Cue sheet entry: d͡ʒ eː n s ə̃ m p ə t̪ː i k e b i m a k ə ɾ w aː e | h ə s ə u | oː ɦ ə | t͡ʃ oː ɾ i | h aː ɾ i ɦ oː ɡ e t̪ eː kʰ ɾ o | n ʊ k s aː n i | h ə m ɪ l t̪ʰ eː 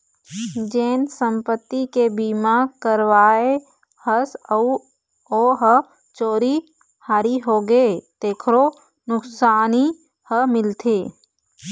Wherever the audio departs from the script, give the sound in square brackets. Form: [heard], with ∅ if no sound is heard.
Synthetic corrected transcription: d͡ʒ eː n s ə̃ m p ə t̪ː i k e b i m a k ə ɾ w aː e | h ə s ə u | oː ɦ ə | t͡ʃ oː ɾ i | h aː ɾ i ɦ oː ɡ e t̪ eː kʰ ɾ o | n ʊ k s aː n i | h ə m ɪ l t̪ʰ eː